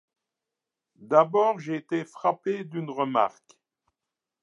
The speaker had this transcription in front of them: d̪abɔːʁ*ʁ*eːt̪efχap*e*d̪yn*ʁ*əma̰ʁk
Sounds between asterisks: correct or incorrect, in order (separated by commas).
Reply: incorrect, correct, correct